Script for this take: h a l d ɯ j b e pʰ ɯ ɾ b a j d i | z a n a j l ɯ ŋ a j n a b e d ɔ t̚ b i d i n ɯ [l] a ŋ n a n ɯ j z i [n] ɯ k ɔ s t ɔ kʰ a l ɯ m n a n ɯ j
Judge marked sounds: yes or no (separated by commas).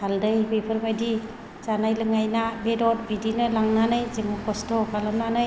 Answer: yes, no